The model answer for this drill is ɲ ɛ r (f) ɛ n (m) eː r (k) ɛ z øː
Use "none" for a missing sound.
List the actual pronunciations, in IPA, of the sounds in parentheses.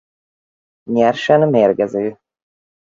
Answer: ʃ, m, ɡ

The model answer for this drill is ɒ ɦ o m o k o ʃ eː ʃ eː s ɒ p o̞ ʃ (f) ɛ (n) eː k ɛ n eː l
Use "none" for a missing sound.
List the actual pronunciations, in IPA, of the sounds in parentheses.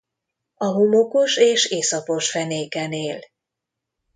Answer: f, n

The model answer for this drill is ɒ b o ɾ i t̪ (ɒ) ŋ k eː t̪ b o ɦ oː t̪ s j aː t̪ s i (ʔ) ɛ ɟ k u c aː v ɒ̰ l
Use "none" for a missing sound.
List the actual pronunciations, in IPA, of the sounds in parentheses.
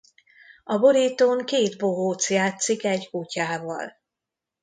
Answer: o, k

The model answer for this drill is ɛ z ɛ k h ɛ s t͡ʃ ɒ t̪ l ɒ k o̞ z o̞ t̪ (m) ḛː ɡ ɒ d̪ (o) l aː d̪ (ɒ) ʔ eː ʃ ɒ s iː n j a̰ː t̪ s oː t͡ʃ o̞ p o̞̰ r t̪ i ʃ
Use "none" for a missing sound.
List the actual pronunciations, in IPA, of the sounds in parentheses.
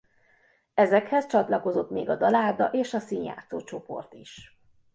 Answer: m, ɒ, ɒ

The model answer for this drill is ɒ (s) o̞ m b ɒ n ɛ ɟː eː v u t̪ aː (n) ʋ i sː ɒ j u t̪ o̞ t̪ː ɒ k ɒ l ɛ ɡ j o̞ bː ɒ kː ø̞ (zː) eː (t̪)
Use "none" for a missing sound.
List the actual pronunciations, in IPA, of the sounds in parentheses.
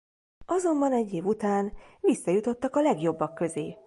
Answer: z, n, z, none

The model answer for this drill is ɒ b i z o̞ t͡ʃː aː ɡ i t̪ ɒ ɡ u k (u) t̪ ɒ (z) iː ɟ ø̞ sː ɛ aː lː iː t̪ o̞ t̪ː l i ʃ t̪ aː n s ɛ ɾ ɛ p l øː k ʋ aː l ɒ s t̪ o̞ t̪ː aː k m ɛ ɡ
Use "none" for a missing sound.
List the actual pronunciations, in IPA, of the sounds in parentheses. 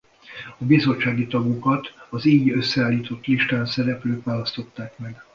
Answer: ɒ, z

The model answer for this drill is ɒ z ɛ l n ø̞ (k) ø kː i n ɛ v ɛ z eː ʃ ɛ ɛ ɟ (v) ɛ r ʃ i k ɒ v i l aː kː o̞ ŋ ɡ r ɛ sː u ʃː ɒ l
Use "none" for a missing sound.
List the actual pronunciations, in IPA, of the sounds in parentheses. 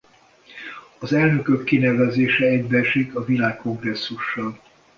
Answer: k, b

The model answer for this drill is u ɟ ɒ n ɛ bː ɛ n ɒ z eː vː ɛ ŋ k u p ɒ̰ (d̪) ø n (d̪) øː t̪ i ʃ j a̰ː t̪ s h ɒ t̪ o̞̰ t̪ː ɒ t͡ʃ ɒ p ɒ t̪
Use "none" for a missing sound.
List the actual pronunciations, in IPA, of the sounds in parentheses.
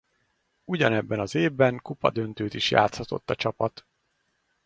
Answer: d̪, t̪

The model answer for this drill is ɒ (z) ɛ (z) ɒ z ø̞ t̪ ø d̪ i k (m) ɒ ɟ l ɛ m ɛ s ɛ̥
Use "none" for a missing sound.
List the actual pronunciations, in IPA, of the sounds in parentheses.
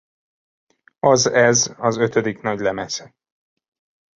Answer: z, z, n

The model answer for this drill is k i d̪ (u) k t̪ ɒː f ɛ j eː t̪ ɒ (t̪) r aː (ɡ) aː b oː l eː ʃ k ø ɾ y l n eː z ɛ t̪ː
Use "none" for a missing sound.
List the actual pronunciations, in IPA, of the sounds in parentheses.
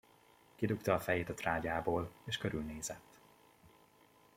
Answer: u, t̪, ɟ

